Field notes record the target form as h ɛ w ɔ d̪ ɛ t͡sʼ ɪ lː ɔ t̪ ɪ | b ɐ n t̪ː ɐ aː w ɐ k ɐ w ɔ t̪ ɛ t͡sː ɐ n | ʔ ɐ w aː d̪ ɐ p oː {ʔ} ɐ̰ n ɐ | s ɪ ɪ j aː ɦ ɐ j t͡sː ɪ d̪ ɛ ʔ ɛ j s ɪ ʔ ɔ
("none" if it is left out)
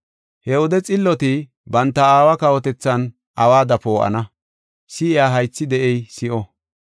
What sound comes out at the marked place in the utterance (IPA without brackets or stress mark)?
ʔ